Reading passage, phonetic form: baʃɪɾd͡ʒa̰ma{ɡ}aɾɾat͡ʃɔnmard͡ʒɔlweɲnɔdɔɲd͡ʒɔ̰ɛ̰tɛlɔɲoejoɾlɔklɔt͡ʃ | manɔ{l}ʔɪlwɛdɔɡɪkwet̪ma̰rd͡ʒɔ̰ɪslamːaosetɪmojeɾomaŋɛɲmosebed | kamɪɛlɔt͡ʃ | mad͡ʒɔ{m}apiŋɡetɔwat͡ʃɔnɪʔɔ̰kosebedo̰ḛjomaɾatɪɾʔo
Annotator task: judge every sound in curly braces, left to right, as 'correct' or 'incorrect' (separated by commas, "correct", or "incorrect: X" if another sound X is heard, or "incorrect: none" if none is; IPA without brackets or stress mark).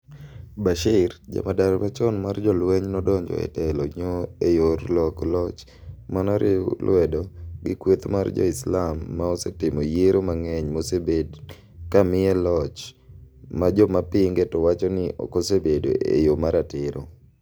incorrect: d, incorrect: ɾ, correct